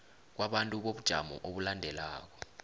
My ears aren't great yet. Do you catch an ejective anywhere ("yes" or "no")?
yes